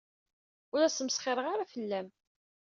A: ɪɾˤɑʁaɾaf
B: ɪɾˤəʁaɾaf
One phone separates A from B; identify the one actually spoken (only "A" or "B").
B